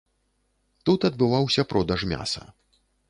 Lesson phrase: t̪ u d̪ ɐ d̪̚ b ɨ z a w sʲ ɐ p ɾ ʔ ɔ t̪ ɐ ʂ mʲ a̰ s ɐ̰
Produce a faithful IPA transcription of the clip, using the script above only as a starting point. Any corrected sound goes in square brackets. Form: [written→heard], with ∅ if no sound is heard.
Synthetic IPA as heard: t̪ u [d̪→t̪] ɐ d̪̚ b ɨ [z→v] a w sʲ ɐ p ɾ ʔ ɔ [t̪→d̪] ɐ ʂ mʲ a̰ s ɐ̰